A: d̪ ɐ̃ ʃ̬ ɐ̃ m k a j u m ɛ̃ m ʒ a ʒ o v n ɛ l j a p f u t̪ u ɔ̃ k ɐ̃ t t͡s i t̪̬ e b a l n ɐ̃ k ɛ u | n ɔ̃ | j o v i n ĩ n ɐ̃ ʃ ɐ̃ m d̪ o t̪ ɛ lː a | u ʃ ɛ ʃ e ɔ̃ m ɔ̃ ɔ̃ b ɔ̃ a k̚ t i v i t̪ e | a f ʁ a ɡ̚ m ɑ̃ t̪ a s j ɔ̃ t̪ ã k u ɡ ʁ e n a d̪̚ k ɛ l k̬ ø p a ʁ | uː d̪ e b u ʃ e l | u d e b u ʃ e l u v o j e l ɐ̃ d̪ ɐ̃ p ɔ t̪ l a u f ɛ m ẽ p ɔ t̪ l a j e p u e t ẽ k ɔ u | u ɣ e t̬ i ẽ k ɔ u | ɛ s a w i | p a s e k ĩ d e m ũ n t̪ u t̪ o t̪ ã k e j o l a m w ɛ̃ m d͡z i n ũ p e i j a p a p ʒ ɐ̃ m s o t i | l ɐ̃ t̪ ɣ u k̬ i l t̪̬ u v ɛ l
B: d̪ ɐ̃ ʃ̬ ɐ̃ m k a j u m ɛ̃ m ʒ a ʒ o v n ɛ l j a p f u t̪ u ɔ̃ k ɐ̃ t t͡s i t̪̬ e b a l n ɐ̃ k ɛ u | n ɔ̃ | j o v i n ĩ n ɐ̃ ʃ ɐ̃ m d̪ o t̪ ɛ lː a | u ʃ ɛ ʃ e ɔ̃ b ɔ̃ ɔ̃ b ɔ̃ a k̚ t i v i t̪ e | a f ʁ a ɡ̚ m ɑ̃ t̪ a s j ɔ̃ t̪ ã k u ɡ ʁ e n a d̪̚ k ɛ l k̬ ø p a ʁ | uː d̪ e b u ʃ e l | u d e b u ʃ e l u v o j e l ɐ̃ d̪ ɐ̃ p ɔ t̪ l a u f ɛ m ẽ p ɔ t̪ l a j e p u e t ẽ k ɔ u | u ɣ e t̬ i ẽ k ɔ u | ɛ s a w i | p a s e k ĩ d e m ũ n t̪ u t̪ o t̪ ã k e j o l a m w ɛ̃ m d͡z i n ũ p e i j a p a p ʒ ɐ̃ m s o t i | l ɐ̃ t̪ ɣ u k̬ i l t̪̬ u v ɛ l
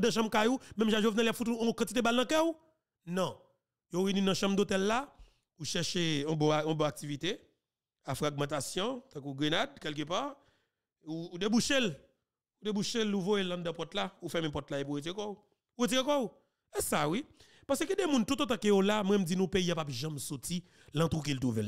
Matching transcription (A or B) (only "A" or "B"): B